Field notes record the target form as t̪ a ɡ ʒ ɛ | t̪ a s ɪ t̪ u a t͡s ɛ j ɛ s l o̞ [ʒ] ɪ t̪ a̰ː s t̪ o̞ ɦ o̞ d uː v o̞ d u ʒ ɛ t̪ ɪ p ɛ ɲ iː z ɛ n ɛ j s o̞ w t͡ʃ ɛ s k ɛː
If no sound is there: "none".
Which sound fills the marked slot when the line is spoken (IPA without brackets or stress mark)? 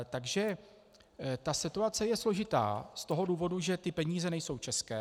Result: ʒ